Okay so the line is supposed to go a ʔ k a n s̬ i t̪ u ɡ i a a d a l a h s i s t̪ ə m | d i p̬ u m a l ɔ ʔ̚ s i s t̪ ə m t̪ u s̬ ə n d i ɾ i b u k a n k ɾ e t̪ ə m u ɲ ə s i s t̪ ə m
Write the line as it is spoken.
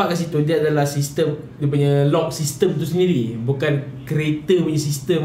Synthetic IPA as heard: a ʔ k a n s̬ i t̪ u d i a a d a l a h s i s t̪ ə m | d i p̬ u ɲ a l ɔ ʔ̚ s i s t̪ ə m t̪ u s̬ ə n d i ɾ i b u k a n k ɾ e t̪ ə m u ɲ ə s i s t̪ ə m